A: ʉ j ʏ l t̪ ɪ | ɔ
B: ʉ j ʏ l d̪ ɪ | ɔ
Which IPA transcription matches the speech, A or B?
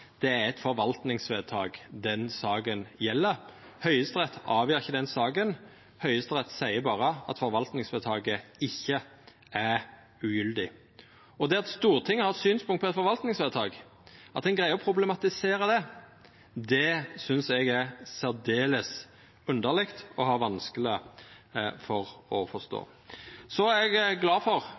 B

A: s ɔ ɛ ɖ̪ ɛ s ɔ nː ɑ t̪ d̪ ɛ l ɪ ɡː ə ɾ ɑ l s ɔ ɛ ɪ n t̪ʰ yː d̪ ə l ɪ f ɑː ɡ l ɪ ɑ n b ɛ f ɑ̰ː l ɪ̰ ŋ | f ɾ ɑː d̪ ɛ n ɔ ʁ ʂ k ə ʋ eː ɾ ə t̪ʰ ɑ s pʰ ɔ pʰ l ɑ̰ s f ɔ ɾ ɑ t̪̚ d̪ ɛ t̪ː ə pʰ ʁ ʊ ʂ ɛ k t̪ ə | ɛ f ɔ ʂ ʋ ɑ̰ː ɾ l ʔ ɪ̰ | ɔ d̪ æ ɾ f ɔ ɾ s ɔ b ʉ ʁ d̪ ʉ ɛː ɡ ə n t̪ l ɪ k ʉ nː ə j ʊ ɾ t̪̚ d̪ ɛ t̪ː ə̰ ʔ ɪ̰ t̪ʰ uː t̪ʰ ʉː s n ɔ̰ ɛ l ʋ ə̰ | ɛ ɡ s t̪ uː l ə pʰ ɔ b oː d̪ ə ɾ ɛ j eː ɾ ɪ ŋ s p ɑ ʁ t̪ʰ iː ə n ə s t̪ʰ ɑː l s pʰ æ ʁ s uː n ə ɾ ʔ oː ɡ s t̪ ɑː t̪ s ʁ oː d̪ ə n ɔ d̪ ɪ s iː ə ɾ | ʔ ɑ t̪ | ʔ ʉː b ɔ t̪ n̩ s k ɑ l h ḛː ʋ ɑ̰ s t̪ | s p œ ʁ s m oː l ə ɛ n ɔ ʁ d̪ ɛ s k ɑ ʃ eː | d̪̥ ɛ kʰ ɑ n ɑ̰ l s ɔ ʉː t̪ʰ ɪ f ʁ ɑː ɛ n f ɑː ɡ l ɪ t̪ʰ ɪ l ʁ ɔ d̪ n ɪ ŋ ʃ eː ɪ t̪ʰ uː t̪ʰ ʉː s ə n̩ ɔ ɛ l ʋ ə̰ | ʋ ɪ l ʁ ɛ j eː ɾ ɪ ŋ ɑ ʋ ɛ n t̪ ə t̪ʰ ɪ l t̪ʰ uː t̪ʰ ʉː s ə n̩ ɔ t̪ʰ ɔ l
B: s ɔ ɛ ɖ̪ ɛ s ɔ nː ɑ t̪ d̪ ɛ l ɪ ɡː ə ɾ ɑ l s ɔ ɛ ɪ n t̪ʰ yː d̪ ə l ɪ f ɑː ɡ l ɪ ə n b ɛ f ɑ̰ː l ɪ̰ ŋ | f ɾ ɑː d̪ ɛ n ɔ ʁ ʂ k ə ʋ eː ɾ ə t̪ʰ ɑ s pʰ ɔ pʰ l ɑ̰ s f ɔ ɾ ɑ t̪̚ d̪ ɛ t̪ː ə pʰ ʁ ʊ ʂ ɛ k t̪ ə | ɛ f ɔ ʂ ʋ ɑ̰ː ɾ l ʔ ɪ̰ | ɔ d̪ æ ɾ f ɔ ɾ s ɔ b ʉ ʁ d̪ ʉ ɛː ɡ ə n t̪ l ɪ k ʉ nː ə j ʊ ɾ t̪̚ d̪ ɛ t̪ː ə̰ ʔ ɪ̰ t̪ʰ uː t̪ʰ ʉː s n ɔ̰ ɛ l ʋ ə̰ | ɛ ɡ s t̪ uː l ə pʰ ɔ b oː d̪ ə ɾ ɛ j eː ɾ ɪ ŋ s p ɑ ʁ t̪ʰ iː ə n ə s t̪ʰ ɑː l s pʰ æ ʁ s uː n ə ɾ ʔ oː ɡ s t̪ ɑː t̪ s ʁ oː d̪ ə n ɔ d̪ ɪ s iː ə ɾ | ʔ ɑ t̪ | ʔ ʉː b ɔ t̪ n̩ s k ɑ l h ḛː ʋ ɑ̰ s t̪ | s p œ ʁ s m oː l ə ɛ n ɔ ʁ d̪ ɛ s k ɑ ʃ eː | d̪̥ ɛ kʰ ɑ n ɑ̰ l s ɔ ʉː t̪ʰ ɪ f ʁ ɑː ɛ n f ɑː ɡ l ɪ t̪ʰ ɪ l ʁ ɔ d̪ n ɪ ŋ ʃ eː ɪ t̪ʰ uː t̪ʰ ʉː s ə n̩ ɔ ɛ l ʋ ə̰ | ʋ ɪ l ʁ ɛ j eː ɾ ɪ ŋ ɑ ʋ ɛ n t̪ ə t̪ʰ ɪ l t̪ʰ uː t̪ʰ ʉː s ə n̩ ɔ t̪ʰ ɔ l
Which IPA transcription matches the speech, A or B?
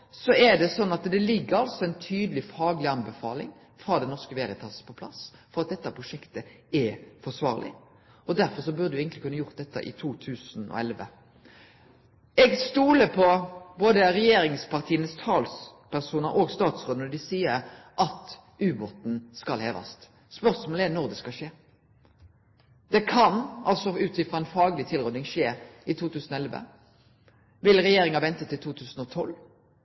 A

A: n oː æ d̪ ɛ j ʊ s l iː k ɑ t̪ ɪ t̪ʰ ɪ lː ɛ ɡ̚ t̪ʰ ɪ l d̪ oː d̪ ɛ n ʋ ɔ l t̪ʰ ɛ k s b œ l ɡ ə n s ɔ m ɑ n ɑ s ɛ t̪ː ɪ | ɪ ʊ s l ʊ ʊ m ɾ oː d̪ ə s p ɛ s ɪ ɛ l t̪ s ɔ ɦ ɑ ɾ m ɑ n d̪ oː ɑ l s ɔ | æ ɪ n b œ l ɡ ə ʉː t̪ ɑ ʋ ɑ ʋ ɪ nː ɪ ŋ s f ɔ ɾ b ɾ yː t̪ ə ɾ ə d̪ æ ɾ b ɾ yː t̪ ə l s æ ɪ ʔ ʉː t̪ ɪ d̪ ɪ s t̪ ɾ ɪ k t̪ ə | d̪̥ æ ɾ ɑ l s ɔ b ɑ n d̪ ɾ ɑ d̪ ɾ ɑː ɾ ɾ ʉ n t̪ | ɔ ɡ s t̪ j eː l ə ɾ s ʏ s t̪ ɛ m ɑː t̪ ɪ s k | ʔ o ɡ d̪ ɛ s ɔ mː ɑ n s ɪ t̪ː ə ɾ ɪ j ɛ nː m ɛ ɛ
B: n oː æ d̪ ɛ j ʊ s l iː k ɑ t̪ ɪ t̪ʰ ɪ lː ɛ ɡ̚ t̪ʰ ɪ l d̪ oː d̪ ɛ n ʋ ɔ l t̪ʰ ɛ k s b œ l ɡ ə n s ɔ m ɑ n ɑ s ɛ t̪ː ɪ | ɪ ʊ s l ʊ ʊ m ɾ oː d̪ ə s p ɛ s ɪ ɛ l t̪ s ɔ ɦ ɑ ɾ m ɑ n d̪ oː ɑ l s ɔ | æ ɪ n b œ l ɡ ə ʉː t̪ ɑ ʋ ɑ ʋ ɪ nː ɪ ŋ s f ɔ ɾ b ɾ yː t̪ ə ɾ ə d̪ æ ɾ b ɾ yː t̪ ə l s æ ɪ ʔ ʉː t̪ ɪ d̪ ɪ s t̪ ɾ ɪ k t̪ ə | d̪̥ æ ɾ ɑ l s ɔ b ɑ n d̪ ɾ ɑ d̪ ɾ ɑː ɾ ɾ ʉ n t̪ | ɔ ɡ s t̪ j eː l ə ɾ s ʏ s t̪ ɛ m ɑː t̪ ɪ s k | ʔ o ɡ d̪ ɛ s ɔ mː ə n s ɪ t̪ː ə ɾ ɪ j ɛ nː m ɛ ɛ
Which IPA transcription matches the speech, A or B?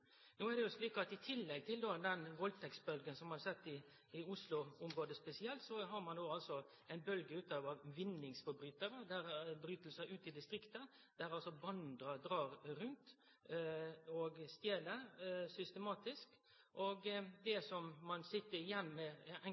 A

